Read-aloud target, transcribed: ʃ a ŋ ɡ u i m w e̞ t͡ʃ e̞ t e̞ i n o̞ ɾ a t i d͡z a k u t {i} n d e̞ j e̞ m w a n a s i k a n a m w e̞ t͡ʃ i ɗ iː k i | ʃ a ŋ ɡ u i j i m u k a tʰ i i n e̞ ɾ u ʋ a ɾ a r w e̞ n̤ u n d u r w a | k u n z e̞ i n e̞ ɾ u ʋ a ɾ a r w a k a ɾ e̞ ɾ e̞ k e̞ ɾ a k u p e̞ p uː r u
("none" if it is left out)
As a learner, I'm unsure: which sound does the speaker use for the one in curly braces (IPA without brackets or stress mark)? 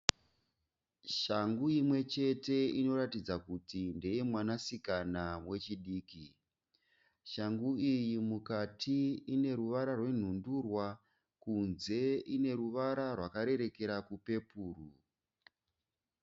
i